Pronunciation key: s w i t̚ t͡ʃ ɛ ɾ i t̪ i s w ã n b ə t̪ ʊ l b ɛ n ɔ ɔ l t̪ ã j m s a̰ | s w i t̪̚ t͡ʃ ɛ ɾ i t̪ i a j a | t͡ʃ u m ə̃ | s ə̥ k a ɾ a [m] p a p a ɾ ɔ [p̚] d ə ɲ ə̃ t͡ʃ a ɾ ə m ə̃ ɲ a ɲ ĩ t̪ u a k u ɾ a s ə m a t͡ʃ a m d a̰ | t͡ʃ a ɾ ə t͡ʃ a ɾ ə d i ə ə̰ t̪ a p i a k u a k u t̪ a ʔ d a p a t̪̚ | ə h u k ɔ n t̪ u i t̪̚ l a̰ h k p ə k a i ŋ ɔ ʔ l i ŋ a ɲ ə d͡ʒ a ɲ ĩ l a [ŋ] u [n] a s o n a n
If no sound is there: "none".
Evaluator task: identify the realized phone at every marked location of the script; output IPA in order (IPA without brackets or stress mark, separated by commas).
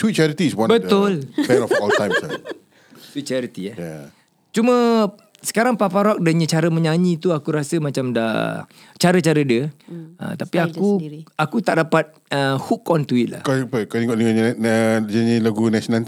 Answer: ŋ, k̚, ɡ, n